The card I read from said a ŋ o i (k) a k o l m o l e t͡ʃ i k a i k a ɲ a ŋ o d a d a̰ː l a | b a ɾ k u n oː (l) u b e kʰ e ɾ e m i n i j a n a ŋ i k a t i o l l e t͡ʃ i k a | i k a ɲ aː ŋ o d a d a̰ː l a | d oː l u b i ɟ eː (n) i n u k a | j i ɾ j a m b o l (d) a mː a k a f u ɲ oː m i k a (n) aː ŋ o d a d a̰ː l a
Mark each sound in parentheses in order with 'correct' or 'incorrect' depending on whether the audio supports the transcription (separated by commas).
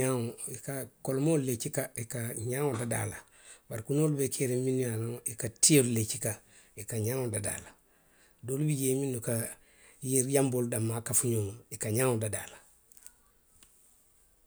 correct, correct, incorrect, correct, incorrect